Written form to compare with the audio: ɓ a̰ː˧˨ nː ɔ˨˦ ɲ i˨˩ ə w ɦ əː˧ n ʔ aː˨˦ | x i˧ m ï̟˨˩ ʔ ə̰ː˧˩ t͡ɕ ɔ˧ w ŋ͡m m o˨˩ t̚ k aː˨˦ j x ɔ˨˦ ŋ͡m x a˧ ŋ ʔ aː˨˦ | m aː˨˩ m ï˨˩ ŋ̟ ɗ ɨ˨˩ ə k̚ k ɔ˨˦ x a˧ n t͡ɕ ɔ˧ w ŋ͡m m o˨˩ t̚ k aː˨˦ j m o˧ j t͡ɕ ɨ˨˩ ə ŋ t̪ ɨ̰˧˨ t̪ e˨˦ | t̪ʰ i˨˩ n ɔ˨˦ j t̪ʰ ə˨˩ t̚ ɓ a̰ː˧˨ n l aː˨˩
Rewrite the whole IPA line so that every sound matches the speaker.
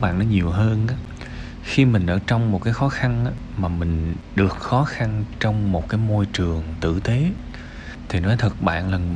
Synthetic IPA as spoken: ɓ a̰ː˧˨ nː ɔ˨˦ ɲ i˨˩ ə w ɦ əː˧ n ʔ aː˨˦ | x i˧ m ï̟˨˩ ʔ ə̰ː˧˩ t͡ɕ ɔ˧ w ŋ͡m m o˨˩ t̚ k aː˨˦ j x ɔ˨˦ x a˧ n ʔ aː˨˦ | m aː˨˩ m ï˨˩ ŋ̟ ɗ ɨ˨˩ ə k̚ x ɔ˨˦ x a˧ n t͡ɕ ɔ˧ w ŋ͡m m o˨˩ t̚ k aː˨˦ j m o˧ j t͡ɕ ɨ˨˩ ə ŋ t̪ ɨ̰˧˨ t̪ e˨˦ | t̪ʰ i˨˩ n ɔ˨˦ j t̪ʰ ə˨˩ t̚ ɓ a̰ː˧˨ n l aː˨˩